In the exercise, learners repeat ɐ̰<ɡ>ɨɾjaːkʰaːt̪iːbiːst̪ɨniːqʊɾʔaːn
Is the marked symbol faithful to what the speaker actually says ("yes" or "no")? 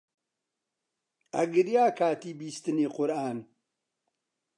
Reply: yes